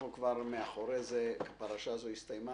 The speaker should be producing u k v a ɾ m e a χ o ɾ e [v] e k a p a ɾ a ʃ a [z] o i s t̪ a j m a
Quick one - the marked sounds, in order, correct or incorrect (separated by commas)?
incorrect, correct